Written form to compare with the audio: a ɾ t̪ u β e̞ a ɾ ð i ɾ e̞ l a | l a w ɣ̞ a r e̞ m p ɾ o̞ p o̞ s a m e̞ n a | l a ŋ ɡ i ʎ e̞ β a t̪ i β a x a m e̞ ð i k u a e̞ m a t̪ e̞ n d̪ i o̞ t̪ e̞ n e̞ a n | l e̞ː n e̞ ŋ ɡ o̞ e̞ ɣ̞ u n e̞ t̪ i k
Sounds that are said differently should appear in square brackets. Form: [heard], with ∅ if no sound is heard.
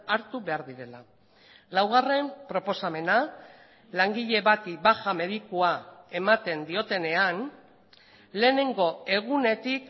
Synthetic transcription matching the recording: a ɾ t̪ u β e̞ a ɾ ð i ɾ e̞ l a | l a w ɣ̞ a r e̞ m p ɾ o̞ p o̞ s a m e̞ n a | l a ŋ ɡ i ʎ e̞ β a t̪ i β a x a m e̞ ð i k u a e̞ m a t̪ e̞ n d̪ i o̞ t̪ e̞ n e̞ a n | l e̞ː n e̞ ŋ ɡ o̞ e̞ ɣ̞ u n e̞ t̪ i k